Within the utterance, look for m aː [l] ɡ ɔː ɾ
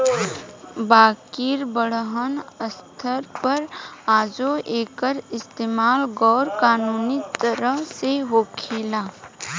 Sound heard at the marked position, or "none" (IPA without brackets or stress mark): l